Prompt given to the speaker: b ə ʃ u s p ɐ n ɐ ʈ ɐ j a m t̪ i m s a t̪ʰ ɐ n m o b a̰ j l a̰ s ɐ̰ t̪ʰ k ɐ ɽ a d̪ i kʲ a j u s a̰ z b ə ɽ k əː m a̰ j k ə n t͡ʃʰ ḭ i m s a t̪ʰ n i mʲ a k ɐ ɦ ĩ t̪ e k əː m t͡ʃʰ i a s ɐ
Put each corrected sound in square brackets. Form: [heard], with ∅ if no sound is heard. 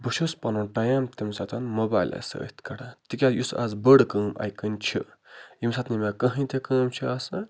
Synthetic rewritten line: b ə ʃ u s p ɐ n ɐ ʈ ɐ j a m t̪ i m s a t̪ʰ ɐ n m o b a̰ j l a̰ s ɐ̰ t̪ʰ k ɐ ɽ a [t̪] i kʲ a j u s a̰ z b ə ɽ k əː m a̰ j k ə n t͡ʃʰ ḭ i m s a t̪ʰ n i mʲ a k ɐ ɦ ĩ t̪ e k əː m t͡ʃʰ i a s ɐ